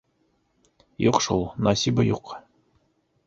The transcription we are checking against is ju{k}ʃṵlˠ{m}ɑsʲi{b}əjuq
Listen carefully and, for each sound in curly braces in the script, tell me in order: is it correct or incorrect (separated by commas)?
incorrect, incorrect, correct